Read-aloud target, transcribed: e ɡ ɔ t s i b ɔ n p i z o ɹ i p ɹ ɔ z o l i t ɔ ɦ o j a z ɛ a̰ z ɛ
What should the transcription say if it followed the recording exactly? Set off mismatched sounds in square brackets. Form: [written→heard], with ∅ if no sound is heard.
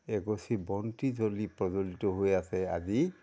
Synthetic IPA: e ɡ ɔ [t→∅] s i b ɔ n [p→t] i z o [ɹ→l] i p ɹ ɔ z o l i t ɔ ɦ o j a [z→s] ɛ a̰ z [ɛ→i]